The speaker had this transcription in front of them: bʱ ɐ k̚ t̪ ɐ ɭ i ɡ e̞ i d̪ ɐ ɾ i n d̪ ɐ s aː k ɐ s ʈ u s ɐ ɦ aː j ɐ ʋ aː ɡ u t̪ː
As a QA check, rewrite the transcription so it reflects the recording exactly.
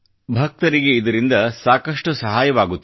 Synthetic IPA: bʱ ɐ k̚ t̪ ɐ ɾ i ɡ e̞ i d̪ ɐ ɾ i n d̪ ɐ s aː k ɐ ʂ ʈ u s ɐ ɦ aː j ɐ ʋ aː ɡ u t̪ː